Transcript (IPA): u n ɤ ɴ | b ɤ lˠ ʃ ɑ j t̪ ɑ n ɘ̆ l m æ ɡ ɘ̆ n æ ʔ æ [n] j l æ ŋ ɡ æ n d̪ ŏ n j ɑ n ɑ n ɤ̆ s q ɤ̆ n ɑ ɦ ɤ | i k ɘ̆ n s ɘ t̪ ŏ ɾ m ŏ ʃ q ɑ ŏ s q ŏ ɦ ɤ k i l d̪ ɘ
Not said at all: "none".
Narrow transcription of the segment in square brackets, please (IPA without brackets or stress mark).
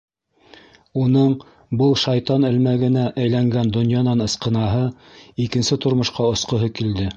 none